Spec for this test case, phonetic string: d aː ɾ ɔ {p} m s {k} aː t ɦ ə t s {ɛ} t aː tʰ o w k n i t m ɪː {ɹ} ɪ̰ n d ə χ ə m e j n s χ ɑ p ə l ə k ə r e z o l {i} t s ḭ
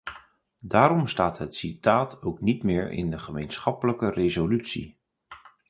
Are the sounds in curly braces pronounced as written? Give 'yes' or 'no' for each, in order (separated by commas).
no, no, no, yes, no